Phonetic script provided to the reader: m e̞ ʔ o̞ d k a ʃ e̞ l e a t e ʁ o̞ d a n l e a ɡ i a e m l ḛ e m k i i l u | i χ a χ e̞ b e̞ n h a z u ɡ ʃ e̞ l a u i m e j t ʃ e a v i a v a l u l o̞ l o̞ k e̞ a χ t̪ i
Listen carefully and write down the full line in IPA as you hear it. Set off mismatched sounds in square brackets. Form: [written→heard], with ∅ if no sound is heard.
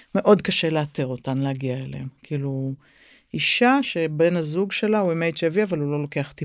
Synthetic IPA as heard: m e̞ ʔ o̞ d k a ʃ e̞ l e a t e ʁ o̞ [d→t] a n l e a ɡ i a e [m→∅] l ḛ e m k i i l u | i [χ→ʃ] a [χ→ʃ] e̞ b e̞ n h a z u ɡ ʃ e̞ l a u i m e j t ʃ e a v i a v a l u l o̞ l o̞ k e̞ a χ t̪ i